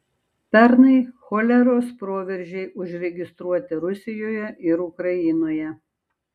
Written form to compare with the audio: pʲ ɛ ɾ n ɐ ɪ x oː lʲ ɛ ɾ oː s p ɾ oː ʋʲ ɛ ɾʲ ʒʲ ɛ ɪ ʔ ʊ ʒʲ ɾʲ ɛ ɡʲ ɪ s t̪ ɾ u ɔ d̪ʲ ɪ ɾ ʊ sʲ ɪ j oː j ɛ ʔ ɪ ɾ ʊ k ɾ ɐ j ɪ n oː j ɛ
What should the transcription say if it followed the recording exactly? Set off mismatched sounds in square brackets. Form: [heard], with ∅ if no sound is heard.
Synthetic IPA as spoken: pʲ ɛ ɾ n ɐ ɪ x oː lʲ ɛ ɾ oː s p ɾ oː ʋʲ ɛ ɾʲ ʒʲ ɛ ɪ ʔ ʊ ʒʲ ɾʲ ɛ ɡʲ ɪ s t̪ ɾ u ɔ [t̪ʲ] ɪ ɾ ʊ sʲ ɪ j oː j ɛ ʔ ɪ ɾ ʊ k ɾ ɐ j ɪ n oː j ɛ